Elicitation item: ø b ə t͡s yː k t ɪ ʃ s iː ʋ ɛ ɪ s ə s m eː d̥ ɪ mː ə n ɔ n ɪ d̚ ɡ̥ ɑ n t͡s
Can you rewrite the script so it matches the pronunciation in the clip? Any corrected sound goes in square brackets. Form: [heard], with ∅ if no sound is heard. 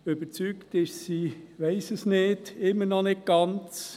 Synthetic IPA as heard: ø b ə t͡s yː k t ɪ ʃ s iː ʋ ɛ ɪ s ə s [n] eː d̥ ɪ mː ə n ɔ n ɪ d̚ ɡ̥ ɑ n t͡s

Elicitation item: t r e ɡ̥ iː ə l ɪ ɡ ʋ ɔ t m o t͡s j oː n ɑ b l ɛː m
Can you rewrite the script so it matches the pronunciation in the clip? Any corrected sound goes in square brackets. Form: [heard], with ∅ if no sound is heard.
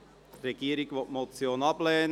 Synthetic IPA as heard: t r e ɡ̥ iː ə [ɾ] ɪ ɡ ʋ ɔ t m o t͡s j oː n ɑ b l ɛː [n]

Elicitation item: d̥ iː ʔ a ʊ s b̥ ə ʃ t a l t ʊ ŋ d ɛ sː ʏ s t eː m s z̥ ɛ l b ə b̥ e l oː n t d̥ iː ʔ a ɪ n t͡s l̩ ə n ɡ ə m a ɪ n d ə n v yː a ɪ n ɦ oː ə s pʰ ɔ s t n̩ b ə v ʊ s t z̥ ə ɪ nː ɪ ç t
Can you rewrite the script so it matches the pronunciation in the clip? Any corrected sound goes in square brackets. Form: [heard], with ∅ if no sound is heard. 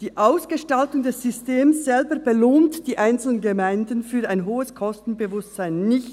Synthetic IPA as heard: d̥ iː ʔ a ʊ s [ɡ̥] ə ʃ t a l t ʊ ŋ d ɛ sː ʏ s t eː m s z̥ ɛ l b ə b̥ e l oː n t d̥ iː ʔ a ɪ n t͡s l̩ ə n ɡ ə m a ɪ n d ə n [f] yː a ɪ n ɦ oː ə s [kʰ] ɔ s t n̩ b ə v ʊ s t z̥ [a] ɪ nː ɪ ç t

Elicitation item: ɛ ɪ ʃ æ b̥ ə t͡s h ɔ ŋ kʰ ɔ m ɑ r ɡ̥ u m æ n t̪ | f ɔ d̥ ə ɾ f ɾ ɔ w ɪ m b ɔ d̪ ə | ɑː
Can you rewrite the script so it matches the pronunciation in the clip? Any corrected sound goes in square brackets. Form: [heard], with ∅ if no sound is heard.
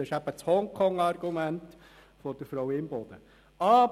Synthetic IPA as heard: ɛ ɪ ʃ æ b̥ ə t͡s h ɔ ŋ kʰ ɔ [ŋ] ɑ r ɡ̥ u m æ n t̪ | f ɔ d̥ ə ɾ f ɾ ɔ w ɪ m b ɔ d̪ ə | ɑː

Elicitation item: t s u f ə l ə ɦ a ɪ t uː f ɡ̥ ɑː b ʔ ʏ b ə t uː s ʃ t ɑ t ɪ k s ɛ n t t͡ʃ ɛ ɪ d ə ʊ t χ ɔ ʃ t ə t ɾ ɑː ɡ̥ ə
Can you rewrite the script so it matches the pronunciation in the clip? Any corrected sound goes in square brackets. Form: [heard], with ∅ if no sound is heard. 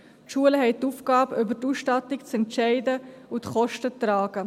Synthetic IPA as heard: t [ʃ] u [∅] ə l ə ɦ [ɛ] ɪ t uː f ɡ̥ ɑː b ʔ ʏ b ə t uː s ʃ t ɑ t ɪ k [t͡s] ɛ n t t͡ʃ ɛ ɪ d ə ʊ t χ ɔ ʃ t ə t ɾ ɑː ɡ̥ ə

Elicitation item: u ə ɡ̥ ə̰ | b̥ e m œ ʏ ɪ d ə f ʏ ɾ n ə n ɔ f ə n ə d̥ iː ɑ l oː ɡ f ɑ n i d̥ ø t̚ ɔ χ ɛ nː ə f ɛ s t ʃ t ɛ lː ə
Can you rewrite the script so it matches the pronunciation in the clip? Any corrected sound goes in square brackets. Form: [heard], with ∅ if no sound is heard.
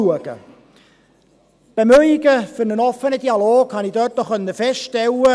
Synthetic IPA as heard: u ə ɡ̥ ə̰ | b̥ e m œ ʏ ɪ [ɡ] ə f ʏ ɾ n ə n ɔ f ə n ə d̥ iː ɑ l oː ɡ [h] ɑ n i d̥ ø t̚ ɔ χ [œ] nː ə f ɛ s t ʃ t ɛ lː ə

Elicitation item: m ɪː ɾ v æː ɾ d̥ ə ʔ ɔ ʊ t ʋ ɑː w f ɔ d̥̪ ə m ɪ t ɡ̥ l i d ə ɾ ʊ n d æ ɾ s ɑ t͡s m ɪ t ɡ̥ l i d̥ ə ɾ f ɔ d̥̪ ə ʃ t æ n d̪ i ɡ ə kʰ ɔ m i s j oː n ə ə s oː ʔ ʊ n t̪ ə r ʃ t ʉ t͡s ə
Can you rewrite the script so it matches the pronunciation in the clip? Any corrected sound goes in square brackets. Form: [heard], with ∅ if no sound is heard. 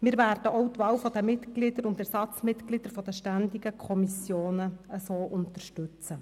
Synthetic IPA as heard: m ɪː ɾ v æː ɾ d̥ ə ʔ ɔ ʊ t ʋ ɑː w f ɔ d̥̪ ə m ɪ t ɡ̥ l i d ə ɾ ʊ n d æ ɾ s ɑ t͡s m ɪ t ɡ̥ l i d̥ ə ɾ f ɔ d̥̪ ə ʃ t æ n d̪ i ɡ ə kʰ ɔ m i s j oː n ə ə s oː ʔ ʊ n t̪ ə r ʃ t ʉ t͡s ə

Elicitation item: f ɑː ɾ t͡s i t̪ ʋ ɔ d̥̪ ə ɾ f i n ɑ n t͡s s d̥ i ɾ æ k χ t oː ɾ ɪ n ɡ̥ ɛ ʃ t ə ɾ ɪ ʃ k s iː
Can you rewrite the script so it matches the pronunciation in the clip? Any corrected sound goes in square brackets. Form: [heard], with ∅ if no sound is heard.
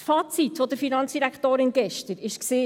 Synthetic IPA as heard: f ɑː [∅] t͡s i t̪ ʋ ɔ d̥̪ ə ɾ f i n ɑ n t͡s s d̥ i ɾ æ k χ t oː ɾ ɪ n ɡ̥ ɛ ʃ t ə ɾ ɪ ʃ k s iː

